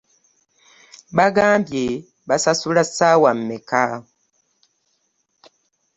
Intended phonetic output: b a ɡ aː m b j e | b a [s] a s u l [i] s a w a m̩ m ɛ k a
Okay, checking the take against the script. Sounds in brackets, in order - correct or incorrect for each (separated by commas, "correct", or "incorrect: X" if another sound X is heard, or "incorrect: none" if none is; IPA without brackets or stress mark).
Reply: correct, incorrect: a